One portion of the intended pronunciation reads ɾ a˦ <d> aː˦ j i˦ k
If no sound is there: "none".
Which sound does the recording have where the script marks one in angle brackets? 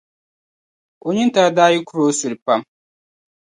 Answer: d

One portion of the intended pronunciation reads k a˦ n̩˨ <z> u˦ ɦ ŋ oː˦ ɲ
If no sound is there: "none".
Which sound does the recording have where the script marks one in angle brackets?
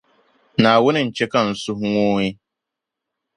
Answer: s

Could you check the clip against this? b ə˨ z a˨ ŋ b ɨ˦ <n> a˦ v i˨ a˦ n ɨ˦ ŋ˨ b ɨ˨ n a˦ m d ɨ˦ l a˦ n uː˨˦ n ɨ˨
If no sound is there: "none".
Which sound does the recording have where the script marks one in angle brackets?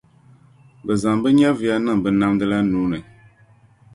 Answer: ɲ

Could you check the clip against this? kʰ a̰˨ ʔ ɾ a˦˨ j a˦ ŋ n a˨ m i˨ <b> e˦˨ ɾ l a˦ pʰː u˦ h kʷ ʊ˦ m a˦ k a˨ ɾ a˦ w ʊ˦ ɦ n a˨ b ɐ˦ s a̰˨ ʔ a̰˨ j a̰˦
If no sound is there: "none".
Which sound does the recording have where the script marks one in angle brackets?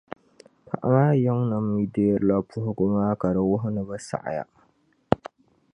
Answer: d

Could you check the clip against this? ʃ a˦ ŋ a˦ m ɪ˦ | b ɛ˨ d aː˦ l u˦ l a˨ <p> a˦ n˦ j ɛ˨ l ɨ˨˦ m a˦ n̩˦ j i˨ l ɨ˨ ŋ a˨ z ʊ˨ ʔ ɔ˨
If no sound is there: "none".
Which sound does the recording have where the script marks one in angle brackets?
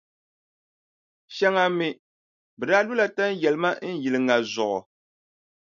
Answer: t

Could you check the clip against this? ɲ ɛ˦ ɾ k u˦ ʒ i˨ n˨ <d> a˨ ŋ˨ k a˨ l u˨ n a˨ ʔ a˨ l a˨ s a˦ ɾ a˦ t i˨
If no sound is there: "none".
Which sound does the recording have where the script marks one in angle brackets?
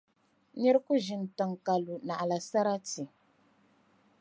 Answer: t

